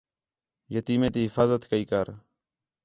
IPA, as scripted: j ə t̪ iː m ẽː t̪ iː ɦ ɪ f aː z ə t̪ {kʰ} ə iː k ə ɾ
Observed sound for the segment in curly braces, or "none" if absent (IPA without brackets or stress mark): k